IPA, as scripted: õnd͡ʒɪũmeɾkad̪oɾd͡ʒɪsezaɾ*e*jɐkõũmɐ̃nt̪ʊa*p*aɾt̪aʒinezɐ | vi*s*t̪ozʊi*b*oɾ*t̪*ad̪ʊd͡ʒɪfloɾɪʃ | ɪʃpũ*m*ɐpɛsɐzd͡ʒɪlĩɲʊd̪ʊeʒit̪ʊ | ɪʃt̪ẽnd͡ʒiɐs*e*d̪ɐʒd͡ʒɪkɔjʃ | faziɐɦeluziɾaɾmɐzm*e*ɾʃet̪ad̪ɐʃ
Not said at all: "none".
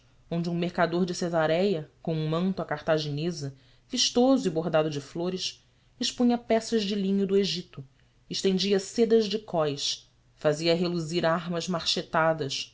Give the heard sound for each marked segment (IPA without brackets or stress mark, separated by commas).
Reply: ɛ, k, ʃ, b, d̪, ɲ, e, a